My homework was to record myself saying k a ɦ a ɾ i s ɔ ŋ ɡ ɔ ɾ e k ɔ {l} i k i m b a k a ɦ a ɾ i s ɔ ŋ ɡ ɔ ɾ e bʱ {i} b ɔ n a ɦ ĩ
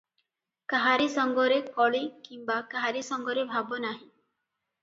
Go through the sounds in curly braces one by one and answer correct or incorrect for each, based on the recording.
incorrect: ɭ, incorrect: a

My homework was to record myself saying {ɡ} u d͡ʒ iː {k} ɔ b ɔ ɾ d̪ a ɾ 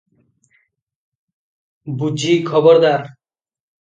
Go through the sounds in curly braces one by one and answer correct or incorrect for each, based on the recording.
incorrect: b, incorrect: kʰ

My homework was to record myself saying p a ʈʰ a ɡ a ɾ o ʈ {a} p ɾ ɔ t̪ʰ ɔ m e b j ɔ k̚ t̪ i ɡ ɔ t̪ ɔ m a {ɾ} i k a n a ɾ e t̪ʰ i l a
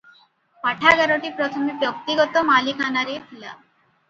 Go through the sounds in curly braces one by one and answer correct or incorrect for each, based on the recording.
incorrect: i, incorrect: l

